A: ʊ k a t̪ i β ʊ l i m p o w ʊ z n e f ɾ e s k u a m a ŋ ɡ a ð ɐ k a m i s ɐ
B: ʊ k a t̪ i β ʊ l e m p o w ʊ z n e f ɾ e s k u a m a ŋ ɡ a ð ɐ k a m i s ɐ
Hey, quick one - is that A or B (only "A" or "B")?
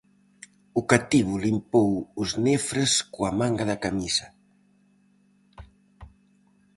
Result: A